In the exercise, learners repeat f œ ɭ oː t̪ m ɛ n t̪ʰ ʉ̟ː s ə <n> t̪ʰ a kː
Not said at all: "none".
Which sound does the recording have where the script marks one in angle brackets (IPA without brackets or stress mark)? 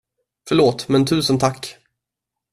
n